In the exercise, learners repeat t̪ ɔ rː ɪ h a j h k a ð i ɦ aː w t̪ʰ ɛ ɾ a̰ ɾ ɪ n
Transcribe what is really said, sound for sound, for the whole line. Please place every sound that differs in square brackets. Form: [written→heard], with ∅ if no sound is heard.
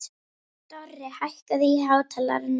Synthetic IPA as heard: t̪ ɔ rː ɪ h a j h k a ð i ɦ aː w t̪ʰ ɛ [ɾ→l] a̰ ɾ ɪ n